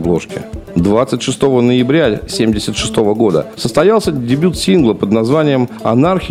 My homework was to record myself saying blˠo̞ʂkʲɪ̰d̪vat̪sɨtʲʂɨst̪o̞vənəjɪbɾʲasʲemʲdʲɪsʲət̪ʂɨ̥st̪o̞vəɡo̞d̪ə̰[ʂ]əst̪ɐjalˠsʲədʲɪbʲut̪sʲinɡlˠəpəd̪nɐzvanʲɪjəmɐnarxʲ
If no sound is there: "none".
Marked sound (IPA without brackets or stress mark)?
s